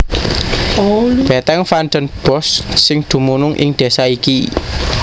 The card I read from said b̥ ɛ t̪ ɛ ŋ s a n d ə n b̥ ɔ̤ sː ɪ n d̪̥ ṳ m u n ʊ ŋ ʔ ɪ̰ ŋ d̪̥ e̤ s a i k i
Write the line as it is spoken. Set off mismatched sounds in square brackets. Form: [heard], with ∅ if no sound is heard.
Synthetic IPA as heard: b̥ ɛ t̪ ɛ ŋ [f] a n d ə n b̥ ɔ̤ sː ɪ [ŋ] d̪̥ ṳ m u n ʊ ŋ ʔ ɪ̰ ŋ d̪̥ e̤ s a i k i